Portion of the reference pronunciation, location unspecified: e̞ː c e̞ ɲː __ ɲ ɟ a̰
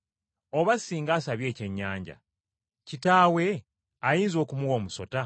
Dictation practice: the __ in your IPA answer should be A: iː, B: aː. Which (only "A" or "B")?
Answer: B